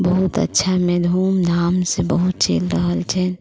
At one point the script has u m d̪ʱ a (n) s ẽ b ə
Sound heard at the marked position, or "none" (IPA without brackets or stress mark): m